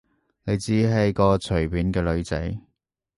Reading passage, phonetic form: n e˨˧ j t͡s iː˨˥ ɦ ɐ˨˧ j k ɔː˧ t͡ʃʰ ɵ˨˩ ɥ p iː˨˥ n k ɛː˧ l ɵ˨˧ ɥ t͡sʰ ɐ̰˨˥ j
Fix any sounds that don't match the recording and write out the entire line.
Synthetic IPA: n e˨˧ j t͡s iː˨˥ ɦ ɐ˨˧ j k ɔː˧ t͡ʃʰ ɵ˨˩ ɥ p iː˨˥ n k ɛː˧ l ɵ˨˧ ɥ t͡s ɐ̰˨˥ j